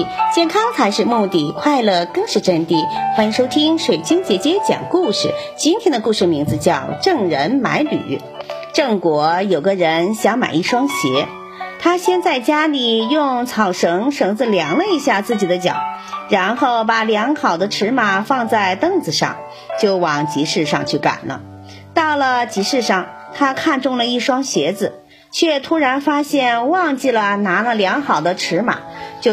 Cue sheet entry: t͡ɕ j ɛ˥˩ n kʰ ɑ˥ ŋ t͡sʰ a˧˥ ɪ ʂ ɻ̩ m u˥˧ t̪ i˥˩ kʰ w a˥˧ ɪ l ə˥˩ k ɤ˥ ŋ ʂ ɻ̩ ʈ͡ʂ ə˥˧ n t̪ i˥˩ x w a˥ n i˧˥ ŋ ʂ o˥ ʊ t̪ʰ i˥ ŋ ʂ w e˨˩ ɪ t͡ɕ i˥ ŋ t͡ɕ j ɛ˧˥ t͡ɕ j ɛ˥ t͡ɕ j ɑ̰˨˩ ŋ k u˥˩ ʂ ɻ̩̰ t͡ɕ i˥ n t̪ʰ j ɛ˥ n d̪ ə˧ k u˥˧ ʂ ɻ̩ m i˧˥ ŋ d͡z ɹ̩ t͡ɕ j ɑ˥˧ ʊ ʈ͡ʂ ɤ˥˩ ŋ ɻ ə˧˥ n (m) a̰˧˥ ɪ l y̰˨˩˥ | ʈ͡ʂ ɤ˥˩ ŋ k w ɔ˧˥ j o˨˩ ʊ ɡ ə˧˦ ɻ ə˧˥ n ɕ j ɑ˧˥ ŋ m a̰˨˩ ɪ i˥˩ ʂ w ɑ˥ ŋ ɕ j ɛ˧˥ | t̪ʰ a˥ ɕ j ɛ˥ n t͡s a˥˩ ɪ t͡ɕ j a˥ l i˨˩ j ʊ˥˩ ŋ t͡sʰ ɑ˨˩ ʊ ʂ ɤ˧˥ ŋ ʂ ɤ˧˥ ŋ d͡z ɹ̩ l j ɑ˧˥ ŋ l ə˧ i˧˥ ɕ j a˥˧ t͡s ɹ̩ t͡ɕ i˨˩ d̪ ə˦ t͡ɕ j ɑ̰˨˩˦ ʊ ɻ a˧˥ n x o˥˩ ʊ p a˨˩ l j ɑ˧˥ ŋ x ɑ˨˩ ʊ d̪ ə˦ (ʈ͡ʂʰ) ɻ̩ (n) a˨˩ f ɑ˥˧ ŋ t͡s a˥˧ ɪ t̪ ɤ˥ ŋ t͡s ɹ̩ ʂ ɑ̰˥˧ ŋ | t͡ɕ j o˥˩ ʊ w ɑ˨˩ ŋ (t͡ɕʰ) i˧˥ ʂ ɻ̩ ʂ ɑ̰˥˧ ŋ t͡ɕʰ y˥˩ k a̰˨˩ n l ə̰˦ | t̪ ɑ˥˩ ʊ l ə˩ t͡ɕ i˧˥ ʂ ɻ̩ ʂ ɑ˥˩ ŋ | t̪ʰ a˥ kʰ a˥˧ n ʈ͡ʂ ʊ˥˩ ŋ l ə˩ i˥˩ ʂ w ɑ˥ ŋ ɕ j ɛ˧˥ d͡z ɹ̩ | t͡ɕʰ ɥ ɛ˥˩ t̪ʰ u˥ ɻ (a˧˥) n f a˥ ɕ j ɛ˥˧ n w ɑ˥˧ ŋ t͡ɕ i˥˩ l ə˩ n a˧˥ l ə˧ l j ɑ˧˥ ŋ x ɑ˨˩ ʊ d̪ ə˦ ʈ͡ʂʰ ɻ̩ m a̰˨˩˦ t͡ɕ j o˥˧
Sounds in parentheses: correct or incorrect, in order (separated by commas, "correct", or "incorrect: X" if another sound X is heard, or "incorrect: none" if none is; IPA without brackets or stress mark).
correct, correct, incorrect: m, incorrect: t͡ɕ, correct